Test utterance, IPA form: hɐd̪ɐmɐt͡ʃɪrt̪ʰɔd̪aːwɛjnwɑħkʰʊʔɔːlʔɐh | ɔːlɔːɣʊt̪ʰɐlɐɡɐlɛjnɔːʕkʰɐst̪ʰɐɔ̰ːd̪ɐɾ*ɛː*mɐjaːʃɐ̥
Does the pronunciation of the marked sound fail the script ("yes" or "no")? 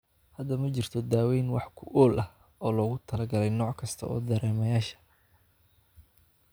no